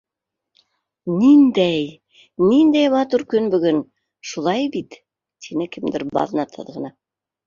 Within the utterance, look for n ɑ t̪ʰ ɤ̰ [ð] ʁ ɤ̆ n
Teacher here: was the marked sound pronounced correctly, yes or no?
yes